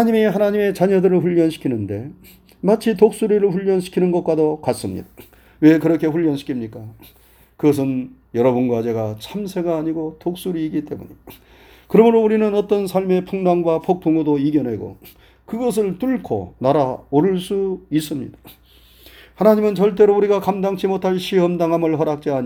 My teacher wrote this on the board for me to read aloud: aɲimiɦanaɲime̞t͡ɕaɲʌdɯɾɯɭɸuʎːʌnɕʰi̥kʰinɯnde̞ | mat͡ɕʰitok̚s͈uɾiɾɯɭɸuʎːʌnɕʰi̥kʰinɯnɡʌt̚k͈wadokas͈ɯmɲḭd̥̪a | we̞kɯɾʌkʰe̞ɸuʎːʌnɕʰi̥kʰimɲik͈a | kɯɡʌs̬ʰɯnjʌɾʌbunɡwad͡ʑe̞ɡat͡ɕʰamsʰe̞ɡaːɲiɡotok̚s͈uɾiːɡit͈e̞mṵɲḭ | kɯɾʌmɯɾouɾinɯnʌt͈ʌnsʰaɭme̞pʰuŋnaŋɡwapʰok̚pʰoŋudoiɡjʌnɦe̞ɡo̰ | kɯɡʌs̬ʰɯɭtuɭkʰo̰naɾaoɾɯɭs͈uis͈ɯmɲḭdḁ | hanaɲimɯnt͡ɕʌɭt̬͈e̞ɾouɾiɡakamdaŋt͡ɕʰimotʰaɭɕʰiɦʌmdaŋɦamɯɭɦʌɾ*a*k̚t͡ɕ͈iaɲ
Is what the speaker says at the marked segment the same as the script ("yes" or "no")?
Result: yes